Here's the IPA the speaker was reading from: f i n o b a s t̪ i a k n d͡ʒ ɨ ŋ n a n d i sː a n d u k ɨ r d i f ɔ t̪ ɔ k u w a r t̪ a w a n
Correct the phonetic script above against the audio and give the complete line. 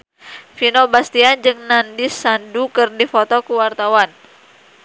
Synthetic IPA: f i n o b a s t̪ i a n d͡ʒ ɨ ŋ n a n d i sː a n d u k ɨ r d i f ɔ t̪ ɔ k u w a r t̪ a w a n